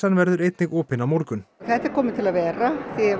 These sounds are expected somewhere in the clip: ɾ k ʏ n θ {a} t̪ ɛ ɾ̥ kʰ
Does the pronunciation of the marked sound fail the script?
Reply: yes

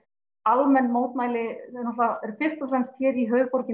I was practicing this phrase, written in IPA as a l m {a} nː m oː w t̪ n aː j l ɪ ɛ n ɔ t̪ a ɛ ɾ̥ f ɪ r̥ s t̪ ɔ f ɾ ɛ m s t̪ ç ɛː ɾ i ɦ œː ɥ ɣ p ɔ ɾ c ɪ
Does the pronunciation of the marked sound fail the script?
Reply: yes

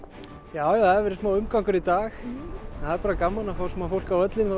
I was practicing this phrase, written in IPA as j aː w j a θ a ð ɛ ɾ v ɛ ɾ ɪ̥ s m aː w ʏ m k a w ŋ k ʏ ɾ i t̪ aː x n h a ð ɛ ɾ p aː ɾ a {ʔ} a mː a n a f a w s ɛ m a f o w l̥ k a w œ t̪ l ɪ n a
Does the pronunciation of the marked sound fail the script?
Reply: yes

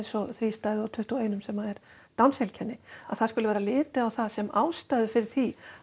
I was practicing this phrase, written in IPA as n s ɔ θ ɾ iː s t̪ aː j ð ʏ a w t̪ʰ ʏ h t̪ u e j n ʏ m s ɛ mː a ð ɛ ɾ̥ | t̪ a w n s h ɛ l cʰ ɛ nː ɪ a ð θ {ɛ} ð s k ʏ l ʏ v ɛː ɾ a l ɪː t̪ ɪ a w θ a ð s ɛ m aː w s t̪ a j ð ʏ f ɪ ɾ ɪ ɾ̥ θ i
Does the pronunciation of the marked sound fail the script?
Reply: yes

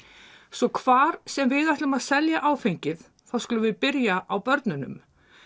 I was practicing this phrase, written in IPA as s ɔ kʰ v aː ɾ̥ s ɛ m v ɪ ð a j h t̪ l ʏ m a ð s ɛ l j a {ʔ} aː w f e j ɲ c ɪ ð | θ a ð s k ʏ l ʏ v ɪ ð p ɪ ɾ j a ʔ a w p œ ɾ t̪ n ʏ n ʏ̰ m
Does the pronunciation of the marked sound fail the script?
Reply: no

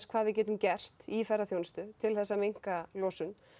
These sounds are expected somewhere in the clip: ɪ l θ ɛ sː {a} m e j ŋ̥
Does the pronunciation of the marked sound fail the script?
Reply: no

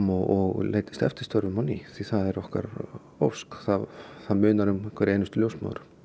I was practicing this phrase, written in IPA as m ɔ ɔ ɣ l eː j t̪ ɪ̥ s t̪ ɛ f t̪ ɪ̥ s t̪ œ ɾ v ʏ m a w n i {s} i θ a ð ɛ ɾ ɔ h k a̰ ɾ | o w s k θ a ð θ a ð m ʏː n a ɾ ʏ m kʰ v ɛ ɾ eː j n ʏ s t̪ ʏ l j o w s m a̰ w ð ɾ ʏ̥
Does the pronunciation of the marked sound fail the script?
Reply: yes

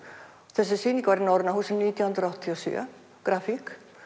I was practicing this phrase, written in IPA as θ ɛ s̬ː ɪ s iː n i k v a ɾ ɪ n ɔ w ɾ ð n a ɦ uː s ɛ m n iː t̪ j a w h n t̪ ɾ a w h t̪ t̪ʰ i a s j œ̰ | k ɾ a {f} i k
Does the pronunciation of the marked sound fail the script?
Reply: no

